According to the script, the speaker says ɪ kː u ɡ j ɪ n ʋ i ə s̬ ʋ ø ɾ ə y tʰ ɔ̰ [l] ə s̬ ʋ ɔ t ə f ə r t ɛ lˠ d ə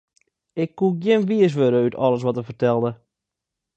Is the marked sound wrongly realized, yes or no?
no